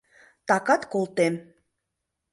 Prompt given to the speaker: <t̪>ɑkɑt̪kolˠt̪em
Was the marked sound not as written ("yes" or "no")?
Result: no